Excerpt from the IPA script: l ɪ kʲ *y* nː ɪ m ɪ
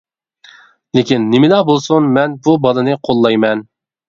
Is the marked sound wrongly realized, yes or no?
yes